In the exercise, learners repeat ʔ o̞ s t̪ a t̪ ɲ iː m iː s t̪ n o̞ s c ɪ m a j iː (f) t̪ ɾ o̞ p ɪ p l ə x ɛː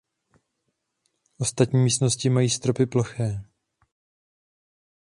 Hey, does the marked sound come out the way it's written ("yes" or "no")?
no